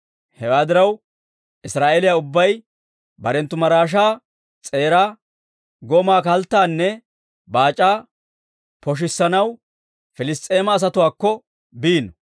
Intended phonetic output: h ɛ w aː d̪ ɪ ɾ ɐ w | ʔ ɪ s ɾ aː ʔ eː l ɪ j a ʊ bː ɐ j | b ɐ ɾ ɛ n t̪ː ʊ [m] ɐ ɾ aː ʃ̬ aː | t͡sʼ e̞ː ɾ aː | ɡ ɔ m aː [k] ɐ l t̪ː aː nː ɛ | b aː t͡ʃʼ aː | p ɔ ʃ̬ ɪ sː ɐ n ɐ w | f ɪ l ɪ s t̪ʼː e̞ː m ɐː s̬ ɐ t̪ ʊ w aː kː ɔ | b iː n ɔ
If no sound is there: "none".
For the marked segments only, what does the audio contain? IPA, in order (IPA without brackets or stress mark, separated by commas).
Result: m, k